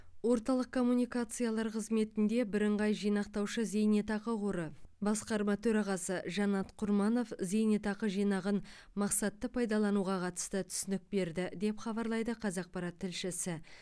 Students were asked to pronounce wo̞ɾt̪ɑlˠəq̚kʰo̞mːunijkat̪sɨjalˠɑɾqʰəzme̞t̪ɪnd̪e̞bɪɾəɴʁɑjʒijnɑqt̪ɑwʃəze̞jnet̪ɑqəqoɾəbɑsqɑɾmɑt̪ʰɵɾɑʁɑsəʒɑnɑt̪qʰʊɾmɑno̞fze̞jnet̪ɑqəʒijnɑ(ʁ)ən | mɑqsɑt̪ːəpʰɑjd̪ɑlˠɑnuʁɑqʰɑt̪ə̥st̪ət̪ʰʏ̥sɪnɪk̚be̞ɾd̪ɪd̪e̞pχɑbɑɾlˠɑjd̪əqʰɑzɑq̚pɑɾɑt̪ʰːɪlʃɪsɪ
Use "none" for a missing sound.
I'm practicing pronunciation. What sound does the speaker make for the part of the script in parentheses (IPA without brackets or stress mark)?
ʁ